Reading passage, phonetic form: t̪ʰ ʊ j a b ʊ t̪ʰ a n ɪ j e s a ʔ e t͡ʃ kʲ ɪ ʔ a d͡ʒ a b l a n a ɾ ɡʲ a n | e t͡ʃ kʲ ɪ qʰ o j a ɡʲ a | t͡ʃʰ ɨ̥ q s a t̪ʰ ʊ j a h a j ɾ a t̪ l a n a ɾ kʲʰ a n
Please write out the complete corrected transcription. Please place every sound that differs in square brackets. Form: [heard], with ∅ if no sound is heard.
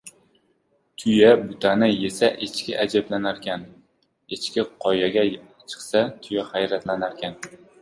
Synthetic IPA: t̪ʰ ʊ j a b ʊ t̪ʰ a n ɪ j e s a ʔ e t͡ʃ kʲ ɪ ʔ a d͡ʒ a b l a n a ɾ [kʲ] a n | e t͡ʃ kʲ ɪ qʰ [ɒ] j a ɡʲ a | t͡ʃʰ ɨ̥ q s a t̪ʰ ʊ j a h a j ɾ a t̪ l a n a ɾ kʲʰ a n